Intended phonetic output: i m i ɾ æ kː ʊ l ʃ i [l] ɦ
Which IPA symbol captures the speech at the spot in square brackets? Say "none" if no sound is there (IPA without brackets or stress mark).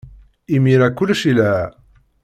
l